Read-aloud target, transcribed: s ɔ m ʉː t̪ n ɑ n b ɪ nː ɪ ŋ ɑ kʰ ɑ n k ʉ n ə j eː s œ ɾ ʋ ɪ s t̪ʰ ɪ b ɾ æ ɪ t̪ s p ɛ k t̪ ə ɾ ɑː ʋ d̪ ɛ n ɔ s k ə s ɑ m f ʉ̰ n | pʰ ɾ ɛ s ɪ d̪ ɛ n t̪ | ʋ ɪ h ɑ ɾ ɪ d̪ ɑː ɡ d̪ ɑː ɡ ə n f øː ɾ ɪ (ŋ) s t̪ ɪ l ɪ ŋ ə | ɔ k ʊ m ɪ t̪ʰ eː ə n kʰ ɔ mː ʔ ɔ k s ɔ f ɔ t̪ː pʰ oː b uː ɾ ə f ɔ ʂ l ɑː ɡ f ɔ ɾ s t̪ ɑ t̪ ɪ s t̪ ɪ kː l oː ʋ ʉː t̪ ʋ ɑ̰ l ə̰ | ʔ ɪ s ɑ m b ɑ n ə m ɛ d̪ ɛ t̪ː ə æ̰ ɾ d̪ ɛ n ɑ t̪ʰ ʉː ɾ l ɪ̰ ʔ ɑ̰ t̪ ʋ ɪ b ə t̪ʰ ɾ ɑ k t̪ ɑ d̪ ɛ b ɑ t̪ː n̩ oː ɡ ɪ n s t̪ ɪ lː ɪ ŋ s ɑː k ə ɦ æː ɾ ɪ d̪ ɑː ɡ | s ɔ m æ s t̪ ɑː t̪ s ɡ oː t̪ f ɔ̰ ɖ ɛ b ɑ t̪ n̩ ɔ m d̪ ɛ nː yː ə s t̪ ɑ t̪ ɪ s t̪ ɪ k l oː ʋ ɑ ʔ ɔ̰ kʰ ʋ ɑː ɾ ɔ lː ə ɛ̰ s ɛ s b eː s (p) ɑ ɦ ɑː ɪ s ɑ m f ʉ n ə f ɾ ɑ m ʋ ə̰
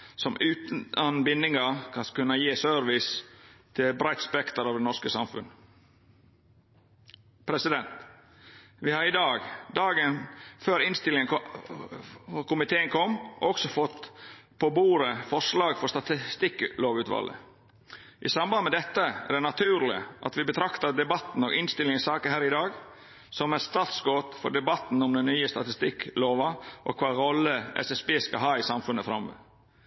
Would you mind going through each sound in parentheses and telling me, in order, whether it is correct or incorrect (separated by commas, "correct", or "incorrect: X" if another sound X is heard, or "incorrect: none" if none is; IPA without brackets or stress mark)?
incorrect: n, incorrect: k